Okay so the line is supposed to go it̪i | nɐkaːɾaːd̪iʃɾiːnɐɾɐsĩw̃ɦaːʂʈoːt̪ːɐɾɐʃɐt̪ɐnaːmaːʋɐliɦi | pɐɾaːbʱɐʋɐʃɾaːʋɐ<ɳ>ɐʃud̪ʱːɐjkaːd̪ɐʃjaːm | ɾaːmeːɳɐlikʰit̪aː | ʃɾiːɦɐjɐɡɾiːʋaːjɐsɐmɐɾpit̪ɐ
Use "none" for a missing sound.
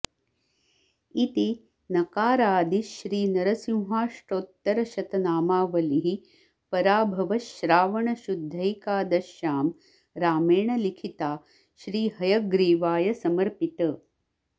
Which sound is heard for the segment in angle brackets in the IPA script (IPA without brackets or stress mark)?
ɳ